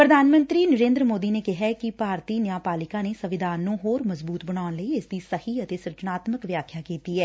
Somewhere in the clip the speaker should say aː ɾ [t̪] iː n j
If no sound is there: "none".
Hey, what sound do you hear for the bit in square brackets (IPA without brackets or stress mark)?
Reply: t̪